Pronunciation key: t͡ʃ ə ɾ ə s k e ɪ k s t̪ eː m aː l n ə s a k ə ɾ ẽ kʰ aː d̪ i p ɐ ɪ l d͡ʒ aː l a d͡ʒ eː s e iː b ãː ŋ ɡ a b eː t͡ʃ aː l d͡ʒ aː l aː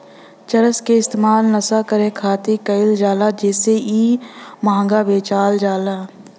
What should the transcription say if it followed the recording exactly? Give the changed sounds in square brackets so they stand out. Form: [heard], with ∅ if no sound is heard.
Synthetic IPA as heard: t͡ʃ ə ɾ ə s k e ɪ [∅] s t̪ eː m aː l n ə s a k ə ɾ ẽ kʰ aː [t̪] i [k] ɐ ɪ l d͡ʒ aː l a d͡ʒ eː s e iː [m] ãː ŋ ɡ a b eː t͡ʃ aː l d͡ʒ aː l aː